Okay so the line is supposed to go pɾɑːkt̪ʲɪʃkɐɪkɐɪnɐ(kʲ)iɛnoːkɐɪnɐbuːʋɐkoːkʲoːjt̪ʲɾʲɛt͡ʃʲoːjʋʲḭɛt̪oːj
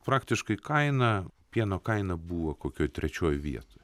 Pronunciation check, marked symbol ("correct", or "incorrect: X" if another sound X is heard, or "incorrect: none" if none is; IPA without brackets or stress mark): incorrect: pʲ